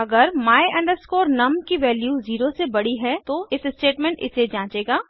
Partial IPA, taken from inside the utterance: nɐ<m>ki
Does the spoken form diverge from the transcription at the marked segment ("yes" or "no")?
no